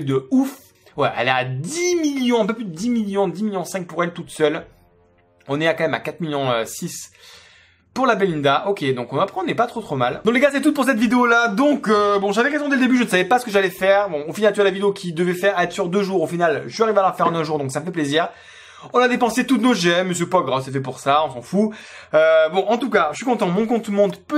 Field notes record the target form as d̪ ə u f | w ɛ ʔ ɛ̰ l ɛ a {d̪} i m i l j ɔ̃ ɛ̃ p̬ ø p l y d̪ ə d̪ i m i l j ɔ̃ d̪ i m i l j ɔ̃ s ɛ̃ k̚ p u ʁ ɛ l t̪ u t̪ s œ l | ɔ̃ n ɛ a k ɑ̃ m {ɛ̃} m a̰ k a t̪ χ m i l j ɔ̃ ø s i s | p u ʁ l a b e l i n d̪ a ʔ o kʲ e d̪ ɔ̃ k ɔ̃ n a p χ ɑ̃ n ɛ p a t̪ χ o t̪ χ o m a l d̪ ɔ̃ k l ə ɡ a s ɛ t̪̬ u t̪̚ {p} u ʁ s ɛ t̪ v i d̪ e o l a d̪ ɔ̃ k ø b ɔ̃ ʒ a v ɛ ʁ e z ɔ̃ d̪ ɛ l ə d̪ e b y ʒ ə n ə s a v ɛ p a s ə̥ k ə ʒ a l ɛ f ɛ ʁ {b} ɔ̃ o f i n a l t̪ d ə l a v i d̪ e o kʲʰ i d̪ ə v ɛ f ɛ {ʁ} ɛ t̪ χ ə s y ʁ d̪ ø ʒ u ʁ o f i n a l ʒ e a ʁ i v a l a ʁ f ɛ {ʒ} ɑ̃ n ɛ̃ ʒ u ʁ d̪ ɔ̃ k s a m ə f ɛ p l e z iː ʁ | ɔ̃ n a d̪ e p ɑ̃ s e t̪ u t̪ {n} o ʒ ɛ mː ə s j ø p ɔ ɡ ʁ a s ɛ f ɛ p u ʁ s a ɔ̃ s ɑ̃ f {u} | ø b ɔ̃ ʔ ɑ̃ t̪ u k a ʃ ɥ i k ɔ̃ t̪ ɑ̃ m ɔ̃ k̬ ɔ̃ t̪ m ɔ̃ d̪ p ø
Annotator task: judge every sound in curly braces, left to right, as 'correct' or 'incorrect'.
correct, incorrect: ɛ, correct, correct, correct, incorrect: ʁ, correct, correct

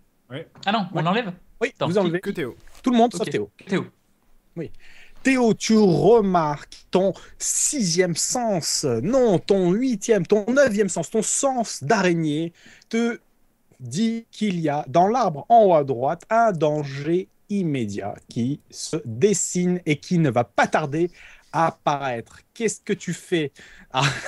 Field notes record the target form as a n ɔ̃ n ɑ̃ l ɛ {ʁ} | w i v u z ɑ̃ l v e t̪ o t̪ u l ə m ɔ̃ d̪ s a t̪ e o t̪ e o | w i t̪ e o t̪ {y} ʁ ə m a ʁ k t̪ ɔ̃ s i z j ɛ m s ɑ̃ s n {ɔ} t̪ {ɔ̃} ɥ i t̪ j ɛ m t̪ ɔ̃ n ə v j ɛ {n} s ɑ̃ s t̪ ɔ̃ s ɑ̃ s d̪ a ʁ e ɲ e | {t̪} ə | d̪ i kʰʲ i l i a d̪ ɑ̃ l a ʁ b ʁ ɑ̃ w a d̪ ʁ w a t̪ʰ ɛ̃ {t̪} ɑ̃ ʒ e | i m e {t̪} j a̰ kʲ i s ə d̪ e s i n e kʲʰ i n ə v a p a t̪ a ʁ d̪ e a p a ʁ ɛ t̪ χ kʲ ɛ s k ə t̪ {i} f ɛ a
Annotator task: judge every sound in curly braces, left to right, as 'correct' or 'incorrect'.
incorrect: v, correct, incorrect: ɔ̃, correct, incorrect: m, correct, incorrect: d̪, incorrect: d̪, incorrect: y

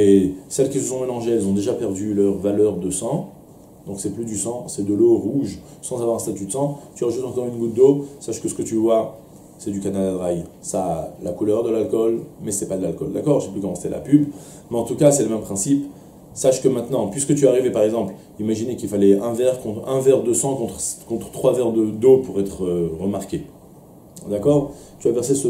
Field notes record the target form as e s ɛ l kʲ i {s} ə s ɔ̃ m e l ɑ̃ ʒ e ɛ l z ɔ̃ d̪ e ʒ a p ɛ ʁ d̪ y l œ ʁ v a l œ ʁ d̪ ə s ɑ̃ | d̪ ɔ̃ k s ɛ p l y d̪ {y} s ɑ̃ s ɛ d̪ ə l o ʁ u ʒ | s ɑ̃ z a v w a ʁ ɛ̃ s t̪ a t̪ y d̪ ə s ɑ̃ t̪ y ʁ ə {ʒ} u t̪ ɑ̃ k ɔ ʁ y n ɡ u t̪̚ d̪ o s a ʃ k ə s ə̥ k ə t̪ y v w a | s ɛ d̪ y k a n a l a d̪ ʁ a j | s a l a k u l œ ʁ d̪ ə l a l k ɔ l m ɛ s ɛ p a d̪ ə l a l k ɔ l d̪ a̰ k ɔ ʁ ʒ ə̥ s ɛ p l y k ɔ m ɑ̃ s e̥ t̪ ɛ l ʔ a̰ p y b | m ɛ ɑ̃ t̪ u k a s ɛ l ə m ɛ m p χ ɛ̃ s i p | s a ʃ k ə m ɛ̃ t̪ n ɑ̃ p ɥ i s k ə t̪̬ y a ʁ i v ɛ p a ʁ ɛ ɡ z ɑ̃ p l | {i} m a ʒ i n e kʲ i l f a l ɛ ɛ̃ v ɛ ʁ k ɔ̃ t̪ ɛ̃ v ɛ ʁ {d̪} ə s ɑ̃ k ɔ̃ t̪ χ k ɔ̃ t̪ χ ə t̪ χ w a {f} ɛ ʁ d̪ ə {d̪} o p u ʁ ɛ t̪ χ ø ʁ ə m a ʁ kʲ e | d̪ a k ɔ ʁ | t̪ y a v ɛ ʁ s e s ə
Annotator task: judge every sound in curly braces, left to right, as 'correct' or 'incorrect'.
correct, correct, correct, correct, correct, incorrect: v, correct

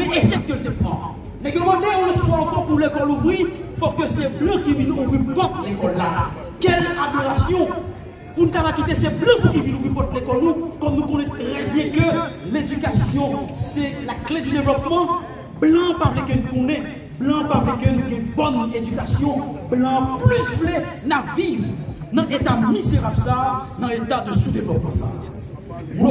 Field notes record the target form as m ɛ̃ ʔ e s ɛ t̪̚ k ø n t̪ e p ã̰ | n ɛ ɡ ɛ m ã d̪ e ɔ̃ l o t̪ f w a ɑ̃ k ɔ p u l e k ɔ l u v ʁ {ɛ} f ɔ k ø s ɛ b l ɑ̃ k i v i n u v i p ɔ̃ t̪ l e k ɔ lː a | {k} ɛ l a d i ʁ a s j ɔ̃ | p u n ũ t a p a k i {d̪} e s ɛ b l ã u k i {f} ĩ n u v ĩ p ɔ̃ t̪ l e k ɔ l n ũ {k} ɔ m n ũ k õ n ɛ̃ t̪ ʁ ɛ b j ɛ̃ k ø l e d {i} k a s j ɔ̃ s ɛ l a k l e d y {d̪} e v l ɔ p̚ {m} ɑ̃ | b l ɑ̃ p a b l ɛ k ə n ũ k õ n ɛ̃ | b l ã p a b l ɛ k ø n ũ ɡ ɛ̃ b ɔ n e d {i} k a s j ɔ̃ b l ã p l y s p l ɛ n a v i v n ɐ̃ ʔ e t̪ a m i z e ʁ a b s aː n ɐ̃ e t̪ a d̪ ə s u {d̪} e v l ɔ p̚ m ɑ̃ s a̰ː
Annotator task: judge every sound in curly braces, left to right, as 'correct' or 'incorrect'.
incorrect: i, correct, incorrect: t̪, incorrect: v, correct, incorrect: y, correct, correct, incorrect: y, correct

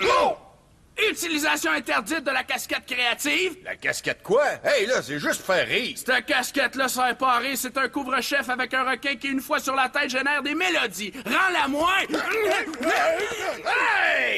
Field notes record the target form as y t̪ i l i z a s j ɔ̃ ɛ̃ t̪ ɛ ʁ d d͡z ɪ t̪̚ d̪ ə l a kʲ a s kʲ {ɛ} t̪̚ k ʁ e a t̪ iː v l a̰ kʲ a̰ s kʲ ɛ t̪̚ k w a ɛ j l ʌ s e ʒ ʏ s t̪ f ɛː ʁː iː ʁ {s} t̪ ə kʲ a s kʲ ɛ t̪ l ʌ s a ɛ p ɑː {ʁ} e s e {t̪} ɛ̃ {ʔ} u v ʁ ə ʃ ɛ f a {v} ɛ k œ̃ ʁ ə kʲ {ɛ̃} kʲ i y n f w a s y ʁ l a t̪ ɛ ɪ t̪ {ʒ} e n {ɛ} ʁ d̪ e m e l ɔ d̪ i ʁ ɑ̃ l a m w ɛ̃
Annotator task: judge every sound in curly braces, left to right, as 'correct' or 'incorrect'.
correct, correct, correct, correct, incorrect: k, correct, correct, correct, incorrect: ɛː

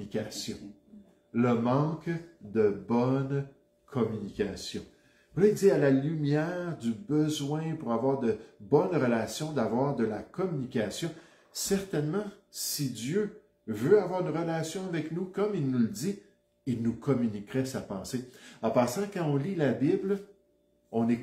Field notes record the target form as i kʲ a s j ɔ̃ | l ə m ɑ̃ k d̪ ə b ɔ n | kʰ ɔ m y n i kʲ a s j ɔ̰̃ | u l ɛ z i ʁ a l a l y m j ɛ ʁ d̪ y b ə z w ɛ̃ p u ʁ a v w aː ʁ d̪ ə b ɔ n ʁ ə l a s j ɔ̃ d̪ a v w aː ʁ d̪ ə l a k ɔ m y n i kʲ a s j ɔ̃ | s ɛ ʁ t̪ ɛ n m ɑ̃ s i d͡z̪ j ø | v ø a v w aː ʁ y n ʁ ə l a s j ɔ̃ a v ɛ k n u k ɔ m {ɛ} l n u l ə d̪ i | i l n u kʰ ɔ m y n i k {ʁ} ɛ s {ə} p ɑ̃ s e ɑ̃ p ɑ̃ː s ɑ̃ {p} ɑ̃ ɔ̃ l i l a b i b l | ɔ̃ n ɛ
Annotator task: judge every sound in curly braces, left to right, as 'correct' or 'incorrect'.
incorrect: i, correct, incorrect: a, incorrect: k

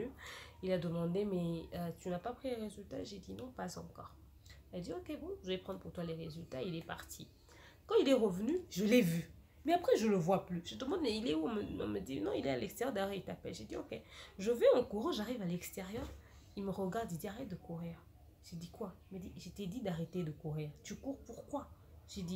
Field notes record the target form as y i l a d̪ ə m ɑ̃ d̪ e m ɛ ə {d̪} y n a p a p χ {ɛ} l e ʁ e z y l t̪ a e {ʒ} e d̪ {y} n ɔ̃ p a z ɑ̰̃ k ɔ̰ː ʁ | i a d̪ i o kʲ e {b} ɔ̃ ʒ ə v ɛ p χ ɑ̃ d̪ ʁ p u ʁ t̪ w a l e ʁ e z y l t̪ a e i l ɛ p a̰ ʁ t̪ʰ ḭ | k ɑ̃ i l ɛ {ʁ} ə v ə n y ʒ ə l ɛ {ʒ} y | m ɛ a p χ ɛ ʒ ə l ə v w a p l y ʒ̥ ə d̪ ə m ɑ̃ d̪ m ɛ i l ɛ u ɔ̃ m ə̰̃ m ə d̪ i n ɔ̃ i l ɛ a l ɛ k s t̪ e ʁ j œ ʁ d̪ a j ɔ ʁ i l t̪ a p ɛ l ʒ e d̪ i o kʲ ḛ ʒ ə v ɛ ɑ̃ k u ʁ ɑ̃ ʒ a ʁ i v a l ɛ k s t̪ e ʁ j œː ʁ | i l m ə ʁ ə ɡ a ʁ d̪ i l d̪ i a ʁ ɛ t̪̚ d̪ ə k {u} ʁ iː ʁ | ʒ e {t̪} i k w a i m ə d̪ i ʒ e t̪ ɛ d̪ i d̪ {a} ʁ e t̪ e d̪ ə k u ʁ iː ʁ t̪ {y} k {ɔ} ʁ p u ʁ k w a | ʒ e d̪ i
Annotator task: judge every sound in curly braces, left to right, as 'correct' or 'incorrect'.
incorrect: t̪, incorrect: i, correct, incorrect: i, correct, correct, incorrect: v, correct, incorrect: d̪, correct, correct, incorrect: u

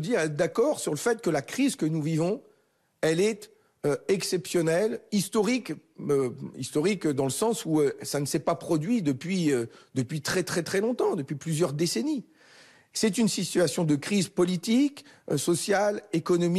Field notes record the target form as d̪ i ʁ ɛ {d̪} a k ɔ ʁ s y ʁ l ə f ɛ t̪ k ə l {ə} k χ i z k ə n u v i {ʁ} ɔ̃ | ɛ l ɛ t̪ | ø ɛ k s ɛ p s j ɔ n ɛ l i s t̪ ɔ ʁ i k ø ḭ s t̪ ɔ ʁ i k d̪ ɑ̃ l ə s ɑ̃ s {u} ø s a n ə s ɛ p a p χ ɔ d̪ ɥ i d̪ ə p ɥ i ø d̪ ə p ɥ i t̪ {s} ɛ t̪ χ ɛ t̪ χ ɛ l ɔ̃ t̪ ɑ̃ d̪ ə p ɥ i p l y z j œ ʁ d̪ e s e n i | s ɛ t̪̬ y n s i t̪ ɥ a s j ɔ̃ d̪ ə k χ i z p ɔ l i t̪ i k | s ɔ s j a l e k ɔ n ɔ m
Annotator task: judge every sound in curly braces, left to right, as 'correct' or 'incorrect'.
correct, incorrect: a, incorrect: v, correct, incorrect: χ

